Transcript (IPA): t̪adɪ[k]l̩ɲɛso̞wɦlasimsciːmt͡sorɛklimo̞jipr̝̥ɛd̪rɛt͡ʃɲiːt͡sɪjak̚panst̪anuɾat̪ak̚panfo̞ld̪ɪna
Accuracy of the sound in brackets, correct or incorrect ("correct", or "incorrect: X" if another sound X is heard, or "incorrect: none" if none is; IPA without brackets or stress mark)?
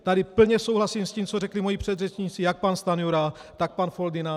incorrect: p